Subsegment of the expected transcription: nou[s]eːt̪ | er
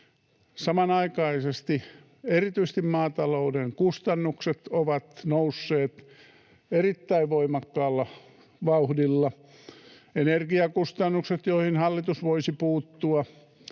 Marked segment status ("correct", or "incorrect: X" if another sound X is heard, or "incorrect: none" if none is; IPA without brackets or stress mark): incorrect: sː